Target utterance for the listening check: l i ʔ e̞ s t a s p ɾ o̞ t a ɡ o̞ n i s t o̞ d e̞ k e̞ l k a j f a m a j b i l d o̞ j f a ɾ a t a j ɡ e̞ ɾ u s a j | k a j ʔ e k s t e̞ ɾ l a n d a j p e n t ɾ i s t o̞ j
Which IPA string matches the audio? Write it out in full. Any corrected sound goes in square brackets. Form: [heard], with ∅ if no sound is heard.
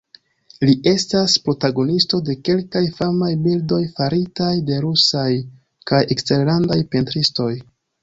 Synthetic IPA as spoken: l i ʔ e̞ s t a s p ɾ o̞ t a ɡ o̞ n i s t o̞ d e̞ k e̞ l k a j f a m a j b i l d o̞ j f a ɾ [i] t a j [d] e̞ ɾ u s a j | k a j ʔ e k s t e̞ ɾ l a n d a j p e n t ɾ i s t o̞ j